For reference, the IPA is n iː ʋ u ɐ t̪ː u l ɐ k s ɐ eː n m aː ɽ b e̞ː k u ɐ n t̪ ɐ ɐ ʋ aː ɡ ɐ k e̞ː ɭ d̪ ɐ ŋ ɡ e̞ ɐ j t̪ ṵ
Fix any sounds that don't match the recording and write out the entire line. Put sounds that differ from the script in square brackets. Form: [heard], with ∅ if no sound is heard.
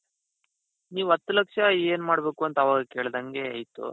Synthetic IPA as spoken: n iː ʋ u ɐ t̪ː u l ɐ k [ʂ] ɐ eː n m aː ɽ b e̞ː k u ɐ n t̪ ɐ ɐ ʋ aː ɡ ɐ k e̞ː ɭ d̪ ɐ ŋ ɡ e̞ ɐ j t̪ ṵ